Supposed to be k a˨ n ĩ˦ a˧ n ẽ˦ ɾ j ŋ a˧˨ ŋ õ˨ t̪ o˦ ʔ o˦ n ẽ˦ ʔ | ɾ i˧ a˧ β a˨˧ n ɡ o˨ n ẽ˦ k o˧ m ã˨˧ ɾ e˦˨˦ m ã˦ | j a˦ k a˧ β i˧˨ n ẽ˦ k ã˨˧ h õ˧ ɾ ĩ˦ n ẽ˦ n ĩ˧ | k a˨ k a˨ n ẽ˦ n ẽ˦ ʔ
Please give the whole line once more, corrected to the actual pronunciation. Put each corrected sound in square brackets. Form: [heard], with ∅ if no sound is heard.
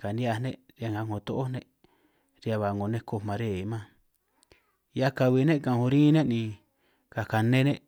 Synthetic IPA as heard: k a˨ n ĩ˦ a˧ n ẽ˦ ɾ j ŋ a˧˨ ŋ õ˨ t̪ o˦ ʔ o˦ n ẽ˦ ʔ | ɾ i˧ a˧ β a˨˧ [ŋ] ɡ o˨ n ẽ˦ k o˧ m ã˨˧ ɾ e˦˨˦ m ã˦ | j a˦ k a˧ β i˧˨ n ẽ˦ k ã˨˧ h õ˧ ɾ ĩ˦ n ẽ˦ n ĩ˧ | k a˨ k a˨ n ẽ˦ n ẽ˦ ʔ